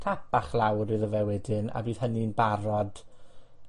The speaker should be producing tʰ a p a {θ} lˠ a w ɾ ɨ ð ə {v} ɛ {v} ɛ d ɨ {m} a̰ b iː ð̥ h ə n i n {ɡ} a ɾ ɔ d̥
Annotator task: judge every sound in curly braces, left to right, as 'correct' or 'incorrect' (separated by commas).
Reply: incorrect, correct, incorrect, incorrect, incorrect